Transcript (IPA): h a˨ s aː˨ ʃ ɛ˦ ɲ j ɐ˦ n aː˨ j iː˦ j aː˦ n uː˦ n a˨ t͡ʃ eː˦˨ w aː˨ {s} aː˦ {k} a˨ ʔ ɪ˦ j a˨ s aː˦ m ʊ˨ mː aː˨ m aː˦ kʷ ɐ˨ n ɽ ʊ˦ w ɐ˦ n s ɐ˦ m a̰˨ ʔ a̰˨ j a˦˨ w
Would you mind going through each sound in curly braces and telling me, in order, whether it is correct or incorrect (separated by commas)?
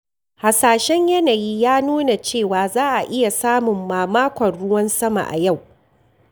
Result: incorrect, incorrect